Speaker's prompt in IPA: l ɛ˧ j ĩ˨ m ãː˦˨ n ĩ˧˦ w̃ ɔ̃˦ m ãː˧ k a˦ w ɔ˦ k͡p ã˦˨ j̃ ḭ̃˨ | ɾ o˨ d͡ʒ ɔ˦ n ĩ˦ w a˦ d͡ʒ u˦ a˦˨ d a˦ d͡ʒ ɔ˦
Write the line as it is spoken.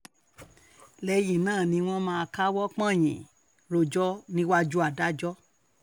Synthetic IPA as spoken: l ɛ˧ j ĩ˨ n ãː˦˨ n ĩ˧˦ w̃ ɔ̃˦ m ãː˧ k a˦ w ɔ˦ k͡p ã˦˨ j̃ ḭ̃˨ | ɾ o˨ d͡ʒ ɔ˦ n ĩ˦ w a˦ d͡ʒ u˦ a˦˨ d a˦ d͡ʒ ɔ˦